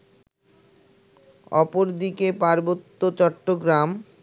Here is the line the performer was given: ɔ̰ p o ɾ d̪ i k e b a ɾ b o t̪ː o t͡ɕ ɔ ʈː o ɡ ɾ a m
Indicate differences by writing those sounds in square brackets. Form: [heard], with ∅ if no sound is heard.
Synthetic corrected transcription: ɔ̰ p o ɾ d̪ i k e [p] a ɾ b o t̪ː o t͡ɕ ɔ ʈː o ɡ ɾ a m